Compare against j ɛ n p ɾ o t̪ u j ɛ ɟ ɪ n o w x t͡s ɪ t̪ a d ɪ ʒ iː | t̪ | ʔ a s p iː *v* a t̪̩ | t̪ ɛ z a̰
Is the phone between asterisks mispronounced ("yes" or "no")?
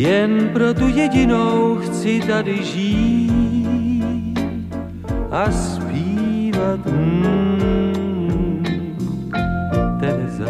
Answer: no